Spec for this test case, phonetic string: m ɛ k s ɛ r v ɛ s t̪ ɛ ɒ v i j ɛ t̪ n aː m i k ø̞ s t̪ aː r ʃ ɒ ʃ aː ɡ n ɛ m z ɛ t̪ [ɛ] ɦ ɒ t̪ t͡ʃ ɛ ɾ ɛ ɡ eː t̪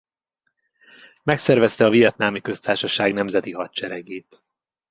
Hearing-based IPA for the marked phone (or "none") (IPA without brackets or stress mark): i